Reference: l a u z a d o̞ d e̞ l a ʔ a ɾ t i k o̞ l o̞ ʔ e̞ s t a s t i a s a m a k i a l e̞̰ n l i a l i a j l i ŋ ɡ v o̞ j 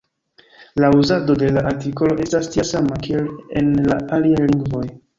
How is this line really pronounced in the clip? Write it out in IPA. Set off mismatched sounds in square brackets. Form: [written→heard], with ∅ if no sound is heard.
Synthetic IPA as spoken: l a u z a d o̞ d e̞ l a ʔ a ɾ t i k o̞ l o̞ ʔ e̞ s t a s t i a s a m a k i [a→e] l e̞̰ n l [i→a] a l i a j l i ŋ ɡ v o̞ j